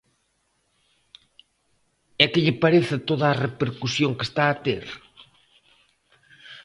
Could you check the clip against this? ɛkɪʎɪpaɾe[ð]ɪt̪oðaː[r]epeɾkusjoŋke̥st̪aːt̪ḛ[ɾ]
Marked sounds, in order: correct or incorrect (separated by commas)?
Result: incorrect, correct, correct